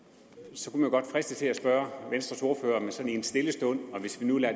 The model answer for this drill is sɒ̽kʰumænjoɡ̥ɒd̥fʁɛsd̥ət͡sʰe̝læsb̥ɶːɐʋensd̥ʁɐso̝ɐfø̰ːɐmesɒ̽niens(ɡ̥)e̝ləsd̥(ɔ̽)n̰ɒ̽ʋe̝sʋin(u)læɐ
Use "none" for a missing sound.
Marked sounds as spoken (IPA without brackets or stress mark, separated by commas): d̥, ɔ̽, u